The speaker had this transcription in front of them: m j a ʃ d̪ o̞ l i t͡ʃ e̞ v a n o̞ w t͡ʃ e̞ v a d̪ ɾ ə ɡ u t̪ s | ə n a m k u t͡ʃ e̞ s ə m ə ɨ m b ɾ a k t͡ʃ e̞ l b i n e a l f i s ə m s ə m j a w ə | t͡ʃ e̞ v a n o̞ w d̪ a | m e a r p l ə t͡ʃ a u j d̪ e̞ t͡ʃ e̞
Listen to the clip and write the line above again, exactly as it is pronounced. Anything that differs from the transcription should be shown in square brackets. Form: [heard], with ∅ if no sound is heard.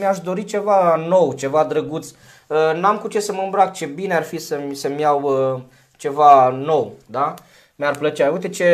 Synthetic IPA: m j a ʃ d̪ o̞ [ɾ] i t͡ʃ e̞ v a n o̞ w t͡ʃ e̞ v a d̪ ɾ ə ɡ u t̪ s | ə n a m k u t͡ʃ e̞ s ə m ə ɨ m b ɾ a k t͡ʃ e̞ [∅] b i n e a [r] f i s ə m s ə m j a w ə | t͡ʃ e̞ v a n o̞ w d̪ a | m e a r p l ə t͡ʃ a u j [t̪] e̞ t͡ʃ e̞